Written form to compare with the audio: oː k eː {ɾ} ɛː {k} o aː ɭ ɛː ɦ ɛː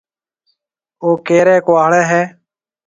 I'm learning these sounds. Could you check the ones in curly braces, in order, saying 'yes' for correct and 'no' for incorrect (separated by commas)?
yes, yes